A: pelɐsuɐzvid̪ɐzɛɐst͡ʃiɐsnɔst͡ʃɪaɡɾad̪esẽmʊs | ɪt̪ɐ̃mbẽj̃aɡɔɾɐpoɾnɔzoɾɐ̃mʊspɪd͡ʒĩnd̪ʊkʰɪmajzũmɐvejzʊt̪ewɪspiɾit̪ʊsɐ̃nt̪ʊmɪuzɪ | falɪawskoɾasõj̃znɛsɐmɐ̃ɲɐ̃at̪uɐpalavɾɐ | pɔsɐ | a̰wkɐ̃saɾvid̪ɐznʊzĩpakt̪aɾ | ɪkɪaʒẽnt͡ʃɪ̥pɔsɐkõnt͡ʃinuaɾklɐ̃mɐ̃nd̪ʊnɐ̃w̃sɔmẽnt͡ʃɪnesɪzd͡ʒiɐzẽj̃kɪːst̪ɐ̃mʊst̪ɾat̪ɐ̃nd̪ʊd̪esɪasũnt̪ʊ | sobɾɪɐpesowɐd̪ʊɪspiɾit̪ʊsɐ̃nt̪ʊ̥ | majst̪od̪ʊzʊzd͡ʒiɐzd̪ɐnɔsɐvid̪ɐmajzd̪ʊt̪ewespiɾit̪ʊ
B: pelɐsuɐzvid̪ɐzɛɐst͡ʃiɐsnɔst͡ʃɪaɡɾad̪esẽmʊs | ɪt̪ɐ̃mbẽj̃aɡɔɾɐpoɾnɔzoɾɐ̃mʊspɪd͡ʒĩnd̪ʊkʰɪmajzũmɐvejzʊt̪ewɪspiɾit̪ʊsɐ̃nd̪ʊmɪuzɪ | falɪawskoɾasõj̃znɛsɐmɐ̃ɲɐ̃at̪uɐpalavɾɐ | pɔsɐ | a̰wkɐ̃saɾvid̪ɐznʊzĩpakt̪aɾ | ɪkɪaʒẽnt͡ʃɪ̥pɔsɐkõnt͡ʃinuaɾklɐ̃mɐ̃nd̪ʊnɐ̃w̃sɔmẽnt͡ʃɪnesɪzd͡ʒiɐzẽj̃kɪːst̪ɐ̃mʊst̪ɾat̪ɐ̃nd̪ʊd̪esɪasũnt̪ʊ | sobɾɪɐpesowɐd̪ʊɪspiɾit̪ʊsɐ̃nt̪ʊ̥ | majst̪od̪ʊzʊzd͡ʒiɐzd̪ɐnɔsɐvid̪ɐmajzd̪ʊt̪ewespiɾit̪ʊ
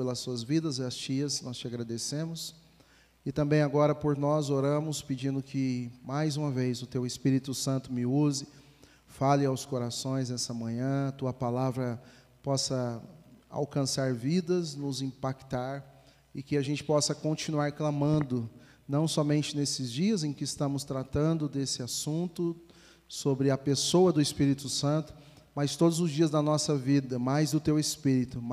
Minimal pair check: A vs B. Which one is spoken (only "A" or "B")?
A